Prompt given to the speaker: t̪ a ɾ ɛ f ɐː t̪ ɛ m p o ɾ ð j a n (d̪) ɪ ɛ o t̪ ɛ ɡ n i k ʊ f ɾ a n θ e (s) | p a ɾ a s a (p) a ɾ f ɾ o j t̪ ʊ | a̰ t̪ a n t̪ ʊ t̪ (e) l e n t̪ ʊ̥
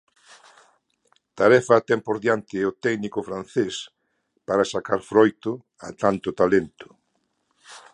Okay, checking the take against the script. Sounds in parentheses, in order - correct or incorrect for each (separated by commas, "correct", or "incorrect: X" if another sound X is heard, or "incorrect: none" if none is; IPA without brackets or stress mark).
incorrect: t̪, correct, incorrect: k, incorrect: a